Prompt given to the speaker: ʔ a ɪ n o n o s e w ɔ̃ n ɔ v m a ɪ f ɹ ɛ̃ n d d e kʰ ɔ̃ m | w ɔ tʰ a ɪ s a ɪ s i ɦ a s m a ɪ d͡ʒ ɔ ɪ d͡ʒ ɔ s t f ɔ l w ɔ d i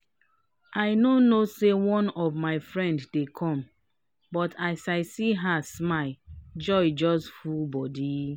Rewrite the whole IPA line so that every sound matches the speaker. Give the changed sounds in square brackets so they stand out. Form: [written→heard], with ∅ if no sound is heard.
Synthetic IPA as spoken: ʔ a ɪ n o n o s e w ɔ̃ n ɔ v m a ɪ f ɹ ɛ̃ n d d e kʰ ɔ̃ m | [w→b] ɔ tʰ a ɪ s a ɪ s i ɦ a s m a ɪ d͡ʒ ɔ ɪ d͡ʒ ɔ s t f [ɔ→u] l [w→b] ɔ d i